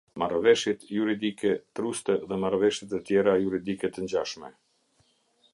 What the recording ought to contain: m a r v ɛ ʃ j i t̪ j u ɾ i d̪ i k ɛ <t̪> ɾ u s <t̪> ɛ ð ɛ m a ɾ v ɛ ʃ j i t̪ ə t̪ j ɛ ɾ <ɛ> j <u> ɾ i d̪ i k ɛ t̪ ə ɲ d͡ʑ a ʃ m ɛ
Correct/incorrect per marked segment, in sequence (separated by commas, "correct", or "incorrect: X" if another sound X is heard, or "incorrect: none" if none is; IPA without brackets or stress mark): correct, correct, incorrect: a, correct